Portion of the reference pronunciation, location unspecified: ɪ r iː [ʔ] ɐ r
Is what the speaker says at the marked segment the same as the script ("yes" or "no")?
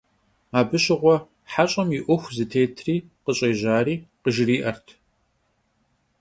yes